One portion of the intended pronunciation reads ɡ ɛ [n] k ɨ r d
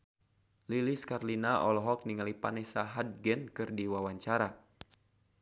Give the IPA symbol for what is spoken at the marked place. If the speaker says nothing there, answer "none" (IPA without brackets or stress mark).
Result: n